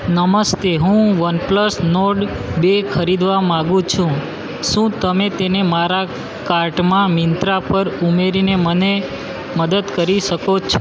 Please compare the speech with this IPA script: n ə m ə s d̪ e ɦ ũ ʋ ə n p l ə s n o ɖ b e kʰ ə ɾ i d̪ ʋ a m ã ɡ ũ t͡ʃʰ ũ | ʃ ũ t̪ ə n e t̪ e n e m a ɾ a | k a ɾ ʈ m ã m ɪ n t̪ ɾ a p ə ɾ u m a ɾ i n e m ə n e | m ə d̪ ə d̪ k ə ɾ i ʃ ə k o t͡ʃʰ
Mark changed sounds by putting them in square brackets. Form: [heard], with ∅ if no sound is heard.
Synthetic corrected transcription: n ə m ə s [t̪] e ɦ ũ ʋ ə n p l ə s n o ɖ b e kʰ ə ɾ i d̪ ʋ a m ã ɡ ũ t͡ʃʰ ũ | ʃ ũ t̪ ə [m] e t̪ e n e m a ɾ a | k a ɾ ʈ m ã m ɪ n t̪ ɾ a p ə ɾ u m [e] ɾ i n e m ə n e | m ə d̪ ə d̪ k ə ɾ i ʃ ə k o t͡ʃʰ